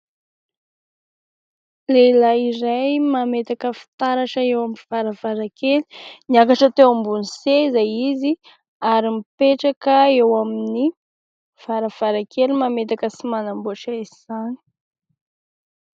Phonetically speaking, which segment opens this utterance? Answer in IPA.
l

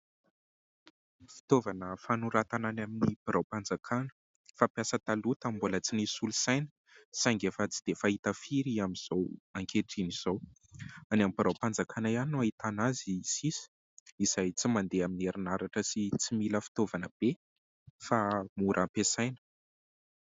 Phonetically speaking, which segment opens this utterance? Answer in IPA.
f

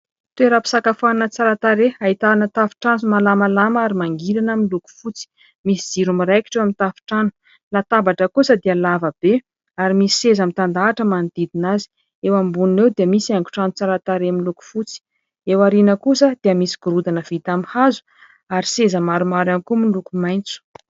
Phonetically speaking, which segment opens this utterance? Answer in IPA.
t̪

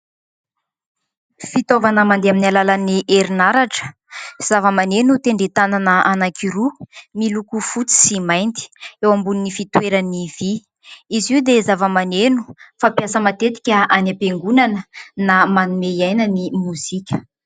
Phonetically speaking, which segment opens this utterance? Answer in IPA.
f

